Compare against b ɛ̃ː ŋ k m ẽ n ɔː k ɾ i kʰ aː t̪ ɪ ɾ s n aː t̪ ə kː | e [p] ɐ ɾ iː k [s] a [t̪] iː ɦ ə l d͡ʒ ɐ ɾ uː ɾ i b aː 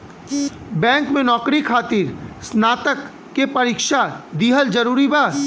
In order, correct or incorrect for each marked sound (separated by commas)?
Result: correct, incorrect, incorrect